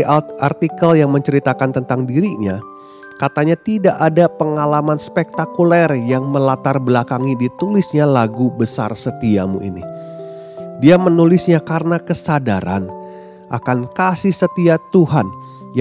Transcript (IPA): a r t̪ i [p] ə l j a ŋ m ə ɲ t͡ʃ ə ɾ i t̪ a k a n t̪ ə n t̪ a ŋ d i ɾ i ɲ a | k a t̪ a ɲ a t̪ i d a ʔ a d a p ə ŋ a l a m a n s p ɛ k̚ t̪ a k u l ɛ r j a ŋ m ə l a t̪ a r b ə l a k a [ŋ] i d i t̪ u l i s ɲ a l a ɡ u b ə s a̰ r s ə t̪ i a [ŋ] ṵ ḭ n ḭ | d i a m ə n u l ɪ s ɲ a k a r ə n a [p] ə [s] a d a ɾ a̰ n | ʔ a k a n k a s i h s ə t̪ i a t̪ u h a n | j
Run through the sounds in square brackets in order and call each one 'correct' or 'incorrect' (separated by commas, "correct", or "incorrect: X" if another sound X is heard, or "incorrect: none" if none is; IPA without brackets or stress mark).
incorrect: k, correct, incorrect: m, incorrect: k, correct